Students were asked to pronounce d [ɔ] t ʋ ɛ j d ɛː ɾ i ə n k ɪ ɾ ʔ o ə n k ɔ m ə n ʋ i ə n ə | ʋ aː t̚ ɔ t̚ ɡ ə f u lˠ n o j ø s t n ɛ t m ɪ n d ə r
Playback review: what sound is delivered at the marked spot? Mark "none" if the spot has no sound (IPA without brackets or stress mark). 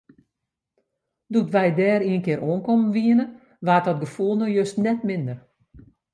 u